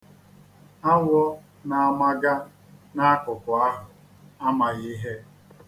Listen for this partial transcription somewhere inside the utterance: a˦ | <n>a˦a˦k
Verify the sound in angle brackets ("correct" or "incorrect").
correct